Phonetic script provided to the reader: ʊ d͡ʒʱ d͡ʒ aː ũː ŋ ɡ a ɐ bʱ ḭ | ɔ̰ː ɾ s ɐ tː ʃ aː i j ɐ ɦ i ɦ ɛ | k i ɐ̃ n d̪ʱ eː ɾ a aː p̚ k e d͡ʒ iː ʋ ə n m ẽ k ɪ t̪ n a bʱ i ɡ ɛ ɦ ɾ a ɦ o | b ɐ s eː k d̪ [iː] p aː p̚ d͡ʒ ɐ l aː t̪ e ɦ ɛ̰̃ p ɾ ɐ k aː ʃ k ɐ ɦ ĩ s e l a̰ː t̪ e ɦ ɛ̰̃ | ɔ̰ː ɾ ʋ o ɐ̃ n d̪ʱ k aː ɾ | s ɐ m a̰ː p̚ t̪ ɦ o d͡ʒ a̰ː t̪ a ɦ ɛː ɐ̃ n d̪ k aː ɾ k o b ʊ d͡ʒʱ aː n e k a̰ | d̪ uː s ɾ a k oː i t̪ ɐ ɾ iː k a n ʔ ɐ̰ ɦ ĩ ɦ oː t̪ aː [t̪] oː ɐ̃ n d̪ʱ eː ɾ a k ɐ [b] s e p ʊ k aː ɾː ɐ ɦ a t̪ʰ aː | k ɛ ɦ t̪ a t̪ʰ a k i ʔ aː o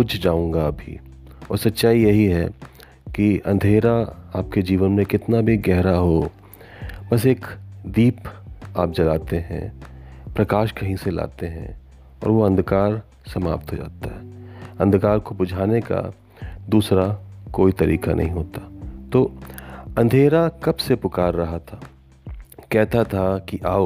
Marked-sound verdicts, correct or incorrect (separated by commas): correct, correct, correct